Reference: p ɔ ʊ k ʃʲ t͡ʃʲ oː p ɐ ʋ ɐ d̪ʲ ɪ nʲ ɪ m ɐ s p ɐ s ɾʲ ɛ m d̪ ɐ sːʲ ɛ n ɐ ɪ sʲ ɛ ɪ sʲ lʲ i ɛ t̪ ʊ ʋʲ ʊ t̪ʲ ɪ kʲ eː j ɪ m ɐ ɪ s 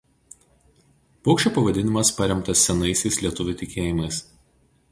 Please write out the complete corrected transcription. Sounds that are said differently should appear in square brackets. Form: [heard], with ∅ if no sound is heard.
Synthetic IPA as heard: p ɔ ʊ k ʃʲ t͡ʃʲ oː p ɐ ʋ ɐ d̪ʲ ɪ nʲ ɪ m ɐ s p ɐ [∅] ɾʲ ɛ m [t̪] ɐ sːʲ ɛ n ɐ ɪ sʲ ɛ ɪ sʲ lʲ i ɛ t̪ ʊ ʋʲ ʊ t̪ʲ ɪ kʲ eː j ɪ m ɐ ɪ s

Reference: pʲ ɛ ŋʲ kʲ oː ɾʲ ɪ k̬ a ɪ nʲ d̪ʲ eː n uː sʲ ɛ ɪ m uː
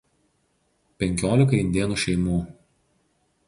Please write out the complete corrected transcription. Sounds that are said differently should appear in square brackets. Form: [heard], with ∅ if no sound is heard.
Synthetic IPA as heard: pʲ ɛ ŋʲ kʲ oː [lʲ] ɪ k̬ [ɐ] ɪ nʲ d̪ʲ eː n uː [ʃʲ] ɛ ɪ m uː

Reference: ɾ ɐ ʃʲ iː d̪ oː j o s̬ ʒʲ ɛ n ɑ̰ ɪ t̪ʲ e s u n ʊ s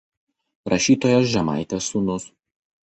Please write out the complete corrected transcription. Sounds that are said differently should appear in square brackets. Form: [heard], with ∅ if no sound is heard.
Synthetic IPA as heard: ɾ ɐ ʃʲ iː [t̪] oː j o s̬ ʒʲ ɛ [m] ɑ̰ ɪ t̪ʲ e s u n ʊ s

